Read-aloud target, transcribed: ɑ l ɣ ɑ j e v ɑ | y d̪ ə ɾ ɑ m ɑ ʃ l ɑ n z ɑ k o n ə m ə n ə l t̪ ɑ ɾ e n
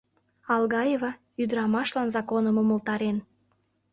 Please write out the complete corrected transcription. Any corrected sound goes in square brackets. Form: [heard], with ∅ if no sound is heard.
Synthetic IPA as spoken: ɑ l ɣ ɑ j e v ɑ | y d̪ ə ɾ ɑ m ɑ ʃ l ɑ n z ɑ k o n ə m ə [m] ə l t̪ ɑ ɾ e n

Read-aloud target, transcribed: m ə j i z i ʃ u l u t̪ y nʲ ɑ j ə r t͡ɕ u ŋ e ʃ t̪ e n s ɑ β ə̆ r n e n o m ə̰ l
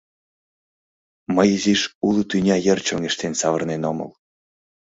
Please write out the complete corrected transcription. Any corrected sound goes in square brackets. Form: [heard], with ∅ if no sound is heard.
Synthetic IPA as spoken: m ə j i z i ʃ u l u t̪ y nʲ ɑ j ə r t͡ɕ [o] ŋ e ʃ t̪ e n s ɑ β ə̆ r n e n o m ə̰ l

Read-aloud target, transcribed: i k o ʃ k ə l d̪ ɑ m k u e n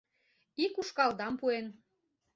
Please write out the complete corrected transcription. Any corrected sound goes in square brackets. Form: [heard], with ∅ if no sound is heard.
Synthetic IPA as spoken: i k [u] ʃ k [ɑ] l d̪ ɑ m [p] u e n

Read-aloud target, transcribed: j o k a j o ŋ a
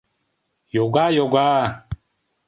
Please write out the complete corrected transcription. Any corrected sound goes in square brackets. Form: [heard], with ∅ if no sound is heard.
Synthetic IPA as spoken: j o [ɡ] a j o [ɡ] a

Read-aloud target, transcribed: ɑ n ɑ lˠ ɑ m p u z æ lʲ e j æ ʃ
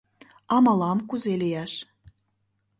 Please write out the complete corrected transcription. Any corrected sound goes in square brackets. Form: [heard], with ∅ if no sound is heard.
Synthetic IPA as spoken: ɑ [m] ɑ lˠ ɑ m [k] u z [e] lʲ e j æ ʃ

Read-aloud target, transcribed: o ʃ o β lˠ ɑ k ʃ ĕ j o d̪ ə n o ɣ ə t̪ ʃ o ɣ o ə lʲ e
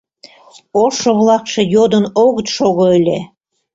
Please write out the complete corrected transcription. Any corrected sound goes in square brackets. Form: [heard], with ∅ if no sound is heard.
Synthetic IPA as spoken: o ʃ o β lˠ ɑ k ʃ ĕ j o d̪ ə n o ɣ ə t̪ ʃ o ɣ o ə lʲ e

